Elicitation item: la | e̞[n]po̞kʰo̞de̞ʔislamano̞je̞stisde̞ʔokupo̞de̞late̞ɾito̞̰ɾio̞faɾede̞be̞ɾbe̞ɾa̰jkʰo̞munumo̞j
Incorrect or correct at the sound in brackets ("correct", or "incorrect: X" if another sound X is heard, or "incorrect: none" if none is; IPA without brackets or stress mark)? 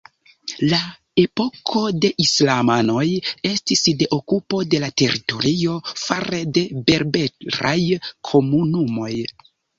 incorrect: none